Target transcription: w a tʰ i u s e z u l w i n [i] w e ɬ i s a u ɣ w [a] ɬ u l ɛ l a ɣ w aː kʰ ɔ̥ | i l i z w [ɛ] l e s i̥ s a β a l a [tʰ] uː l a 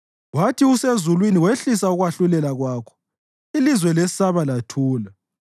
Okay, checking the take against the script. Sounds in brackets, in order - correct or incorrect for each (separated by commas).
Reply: correct, correct, correct, correct